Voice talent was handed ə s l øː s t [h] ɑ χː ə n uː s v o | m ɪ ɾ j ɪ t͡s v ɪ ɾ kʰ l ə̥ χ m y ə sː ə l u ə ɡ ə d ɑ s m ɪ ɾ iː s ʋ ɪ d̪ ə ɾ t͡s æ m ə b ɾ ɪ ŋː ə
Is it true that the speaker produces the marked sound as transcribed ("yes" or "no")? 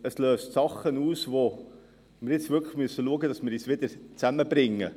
no